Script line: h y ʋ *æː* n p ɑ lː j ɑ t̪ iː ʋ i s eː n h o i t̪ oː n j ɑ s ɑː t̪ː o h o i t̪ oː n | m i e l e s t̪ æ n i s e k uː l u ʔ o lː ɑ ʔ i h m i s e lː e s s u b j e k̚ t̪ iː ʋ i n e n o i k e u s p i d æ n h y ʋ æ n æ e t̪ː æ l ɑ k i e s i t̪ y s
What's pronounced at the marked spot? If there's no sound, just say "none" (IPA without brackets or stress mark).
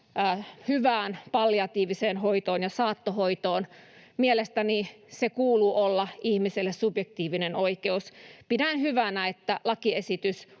æː